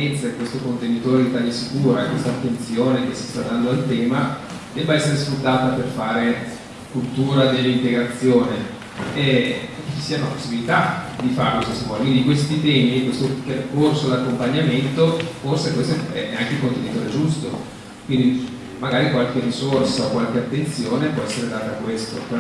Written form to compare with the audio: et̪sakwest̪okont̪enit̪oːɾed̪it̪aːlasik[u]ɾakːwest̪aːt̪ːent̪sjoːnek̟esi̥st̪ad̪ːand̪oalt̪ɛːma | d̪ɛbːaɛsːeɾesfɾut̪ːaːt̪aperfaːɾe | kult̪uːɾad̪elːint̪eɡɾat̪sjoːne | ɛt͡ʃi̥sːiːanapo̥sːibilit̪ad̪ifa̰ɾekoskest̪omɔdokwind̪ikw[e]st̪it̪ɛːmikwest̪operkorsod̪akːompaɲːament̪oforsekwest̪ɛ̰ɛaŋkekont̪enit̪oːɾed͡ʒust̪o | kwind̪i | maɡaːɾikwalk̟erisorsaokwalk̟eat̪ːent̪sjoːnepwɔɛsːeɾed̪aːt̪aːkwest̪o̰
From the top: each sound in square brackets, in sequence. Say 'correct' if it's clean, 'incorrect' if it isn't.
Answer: incorrect, correct

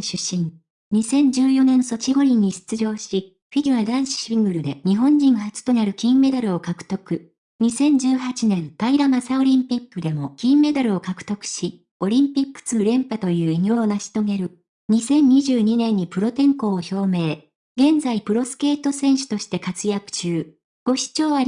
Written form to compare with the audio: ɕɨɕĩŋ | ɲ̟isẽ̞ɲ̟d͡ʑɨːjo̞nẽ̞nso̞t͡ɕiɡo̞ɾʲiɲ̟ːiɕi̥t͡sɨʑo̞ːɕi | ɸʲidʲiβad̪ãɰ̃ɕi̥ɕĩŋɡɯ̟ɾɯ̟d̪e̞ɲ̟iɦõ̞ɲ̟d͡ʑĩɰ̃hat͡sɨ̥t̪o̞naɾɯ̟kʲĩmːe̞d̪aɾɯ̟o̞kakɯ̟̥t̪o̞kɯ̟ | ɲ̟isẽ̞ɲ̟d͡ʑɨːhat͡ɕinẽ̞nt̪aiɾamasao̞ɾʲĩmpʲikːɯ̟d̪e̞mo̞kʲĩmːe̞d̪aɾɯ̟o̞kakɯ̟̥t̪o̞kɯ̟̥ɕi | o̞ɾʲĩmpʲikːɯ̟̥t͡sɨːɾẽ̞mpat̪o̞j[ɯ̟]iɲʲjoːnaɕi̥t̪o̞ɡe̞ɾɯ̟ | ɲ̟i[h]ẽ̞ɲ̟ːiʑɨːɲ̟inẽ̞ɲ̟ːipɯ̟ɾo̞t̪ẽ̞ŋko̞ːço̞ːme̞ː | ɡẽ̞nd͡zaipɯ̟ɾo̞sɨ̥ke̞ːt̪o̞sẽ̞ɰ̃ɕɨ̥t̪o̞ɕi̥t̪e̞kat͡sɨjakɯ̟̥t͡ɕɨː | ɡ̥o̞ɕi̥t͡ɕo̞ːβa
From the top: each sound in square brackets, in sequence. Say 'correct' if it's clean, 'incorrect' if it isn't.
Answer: incorrect, incorrect

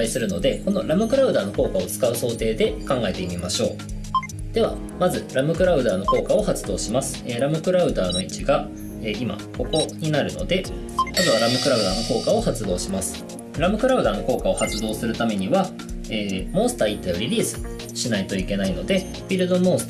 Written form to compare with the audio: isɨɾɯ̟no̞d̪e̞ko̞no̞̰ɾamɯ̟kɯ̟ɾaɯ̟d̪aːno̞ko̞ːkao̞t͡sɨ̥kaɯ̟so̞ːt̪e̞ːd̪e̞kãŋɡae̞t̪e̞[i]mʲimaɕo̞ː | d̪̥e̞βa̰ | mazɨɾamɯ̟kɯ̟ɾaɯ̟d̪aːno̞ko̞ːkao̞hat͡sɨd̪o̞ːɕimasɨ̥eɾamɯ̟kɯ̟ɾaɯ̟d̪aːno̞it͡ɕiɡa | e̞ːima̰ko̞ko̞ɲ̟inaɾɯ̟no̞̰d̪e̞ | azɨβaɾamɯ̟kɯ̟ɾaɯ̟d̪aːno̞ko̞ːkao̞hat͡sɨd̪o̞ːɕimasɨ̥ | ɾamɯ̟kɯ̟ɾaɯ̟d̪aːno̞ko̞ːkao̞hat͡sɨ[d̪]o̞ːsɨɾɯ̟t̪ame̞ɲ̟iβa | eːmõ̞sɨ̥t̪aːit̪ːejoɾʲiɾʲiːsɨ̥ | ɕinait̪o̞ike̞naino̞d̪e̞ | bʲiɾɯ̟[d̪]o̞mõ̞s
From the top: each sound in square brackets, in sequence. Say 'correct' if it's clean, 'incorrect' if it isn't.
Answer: correct, correct, correct

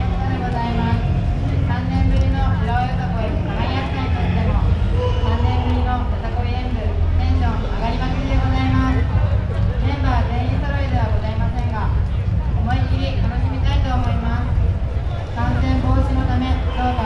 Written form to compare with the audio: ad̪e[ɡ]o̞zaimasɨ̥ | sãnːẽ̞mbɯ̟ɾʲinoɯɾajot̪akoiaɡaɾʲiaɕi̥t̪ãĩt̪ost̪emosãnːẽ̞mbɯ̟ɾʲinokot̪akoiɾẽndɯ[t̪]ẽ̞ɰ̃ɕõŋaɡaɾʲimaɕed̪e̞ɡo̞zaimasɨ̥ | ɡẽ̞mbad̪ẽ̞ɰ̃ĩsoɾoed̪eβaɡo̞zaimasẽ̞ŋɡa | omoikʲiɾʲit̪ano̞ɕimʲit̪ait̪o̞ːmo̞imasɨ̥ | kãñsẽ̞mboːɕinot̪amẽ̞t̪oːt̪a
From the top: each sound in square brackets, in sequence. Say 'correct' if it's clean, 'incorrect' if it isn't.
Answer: correct, correct

